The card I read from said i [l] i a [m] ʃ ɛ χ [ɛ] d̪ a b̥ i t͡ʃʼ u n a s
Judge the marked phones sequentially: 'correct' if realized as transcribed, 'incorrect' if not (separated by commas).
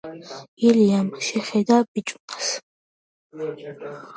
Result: correct, correct, correct